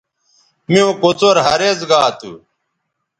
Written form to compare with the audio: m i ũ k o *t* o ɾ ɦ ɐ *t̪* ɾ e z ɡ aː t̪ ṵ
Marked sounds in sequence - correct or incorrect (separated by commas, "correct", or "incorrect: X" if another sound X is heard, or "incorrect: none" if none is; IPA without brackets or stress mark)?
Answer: incorrect: t͡s, incorrect: none